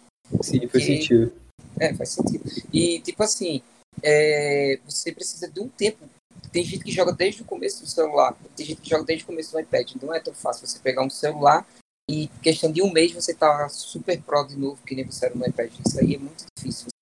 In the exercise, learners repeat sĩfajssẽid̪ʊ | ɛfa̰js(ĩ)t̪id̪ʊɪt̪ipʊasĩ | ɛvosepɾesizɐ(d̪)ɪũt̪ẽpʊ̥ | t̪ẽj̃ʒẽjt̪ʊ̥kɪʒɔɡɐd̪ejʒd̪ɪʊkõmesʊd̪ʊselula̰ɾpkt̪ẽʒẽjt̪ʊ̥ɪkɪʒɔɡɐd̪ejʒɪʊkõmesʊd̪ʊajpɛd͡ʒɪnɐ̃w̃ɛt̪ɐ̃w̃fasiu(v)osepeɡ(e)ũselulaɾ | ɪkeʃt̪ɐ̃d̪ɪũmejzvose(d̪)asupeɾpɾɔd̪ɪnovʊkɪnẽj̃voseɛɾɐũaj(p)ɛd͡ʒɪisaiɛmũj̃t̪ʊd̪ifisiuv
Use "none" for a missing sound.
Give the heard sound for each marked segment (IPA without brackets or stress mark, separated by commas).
ẽ, d̪, v, a, t̪, p